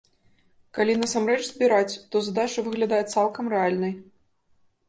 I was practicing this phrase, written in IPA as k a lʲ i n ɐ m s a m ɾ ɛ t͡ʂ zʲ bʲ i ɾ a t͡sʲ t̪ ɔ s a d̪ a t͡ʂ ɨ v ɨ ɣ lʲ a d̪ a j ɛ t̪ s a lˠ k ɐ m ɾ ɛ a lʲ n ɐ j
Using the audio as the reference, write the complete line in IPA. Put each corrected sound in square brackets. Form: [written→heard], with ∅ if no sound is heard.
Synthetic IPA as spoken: k a lʲ i n ɐ [m→∅] s a m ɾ ɛ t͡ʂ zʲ bʲ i ɾ a t͡sʲ t̪ ɔ [s→z] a d̪ a t͡ʂ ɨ v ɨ ɣ lʲ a d̪ a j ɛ t̪ s a lˠ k ɐ m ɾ ɛ a lʲ n ɐ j